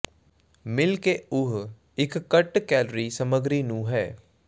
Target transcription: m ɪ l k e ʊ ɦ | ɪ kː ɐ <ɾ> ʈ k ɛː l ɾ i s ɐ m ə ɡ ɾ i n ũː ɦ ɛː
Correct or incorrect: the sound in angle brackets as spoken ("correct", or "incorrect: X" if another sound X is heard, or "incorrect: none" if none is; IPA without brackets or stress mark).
incorrect: none